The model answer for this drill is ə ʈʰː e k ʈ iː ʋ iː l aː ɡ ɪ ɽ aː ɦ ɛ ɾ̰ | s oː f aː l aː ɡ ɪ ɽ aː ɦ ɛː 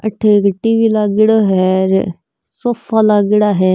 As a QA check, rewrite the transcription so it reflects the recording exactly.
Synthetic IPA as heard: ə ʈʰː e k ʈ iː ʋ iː l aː ɡ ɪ ɽ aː ɦ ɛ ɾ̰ | s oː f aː l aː ɡ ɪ ɽ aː ɦ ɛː